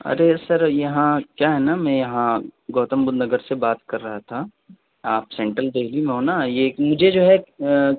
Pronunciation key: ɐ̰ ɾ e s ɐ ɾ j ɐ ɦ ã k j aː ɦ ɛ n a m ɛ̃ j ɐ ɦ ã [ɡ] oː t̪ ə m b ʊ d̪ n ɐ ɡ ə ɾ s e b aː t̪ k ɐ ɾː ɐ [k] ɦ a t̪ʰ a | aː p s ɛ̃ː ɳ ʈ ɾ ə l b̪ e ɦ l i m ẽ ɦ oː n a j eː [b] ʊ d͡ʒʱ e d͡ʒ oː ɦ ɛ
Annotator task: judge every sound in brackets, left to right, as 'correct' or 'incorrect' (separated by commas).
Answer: correct, incorrect, incorrect